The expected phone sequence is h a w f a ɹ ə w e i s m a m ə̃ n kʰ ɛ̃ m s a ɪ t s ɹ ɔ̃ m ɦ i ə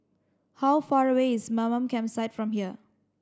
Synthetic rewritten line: h a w f a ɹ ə w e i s m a m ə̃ m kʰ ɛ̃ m s a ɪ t f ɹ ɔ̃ m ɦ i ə